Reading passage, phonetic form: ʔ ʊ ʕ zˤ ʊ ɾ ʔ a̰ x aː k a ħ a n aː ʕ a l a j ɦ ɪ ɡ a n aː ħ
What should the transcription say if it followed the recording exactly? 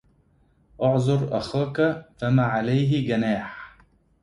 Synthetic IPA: ʔ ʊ ʕ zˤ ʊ ɾ ʔ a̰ x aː k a f a m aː ʕ a l a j ɦ ɪ ɡ a n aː ħ